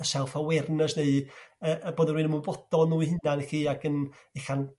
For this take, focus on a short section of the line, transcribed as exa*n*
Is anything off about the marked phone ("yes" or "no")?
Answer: no